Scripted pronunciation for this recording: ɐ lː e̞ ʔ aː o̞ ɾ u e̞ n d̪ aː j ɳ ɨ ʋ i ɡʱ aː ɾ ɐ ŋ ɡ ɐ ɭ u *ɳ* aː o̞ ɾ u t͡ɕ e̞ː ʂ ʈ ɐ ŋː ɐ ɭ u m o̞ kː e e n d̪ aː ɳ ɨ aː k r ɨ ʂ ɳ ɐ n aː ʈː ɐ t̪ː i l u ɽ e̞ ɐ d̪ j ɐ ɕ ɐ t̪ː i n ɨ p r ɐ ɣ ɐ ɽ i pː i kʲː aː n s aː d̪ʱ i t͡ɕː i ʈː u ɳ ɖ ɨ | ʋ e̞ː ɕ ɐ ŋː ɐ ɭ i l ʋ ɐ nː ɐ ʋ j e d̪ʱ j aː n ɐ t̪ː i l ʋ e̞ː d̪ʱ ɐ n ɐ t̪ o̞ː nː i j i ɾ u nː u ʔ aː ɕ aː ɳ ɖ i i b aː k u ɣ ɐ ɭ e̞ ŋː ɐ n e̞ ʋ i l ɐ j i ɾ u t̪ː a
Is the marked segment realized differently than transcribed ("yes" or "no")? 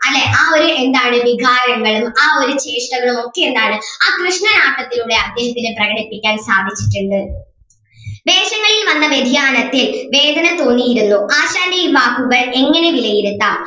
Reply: yes